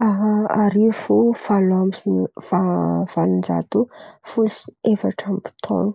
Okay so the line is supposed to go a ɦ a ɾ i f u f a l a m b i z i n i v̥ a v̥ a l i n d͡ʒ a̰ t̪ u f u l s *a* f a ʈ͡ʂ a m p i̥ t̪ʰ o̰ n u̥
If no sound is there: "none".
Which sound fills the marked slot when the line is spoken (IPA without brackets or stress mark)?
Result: e